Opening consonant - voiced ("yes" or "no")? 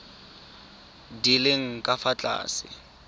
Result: yes